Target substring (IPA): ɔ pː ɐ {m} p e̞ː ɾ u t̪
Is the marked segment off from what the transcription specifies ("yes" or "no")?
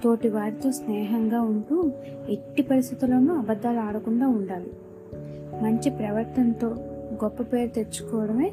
yes